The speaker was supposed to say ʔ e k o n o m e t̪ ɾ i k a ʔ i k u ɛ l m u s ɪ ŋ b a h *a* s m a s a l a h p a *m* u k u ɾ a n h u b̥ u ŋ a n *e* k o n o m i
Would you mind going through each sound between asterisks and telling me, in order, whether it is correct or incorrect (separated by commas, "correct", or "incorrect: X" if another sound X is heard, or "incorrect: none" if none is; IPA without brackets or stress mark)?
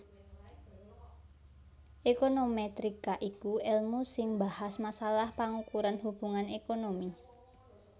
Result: correct, incorrect: ŋ, correct